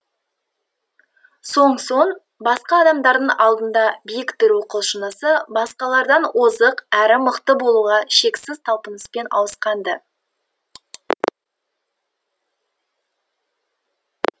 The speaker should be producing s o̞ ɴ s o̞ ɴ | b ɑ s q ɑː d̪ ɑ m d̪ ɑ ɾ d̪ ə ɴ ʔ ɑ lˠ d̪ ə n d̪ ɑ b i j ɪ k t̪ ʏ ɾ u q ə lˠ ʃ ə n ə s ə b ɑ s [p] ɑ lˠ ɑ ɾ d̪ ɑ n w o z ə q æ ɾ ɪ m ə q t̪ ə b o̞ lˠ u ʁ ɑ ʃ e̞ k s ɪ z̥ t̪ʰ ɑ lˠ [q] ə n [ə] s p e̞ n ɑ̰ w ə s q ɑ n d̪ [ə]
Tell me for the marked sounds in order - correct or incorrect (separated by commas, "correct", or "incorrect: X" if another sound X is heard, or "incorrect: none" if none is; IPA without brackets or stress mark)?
incorrect: q, incorrect: p, correct, correct